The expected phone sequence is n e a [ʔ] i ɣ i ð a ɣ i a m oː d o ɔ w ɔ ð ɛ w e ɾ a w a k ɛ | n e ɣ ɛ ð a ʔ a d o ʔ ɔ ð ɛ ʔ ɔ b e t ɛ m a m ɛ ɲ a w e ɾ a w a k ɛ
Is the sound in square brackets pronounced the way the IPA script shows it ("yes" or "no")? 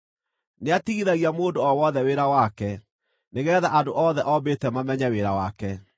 no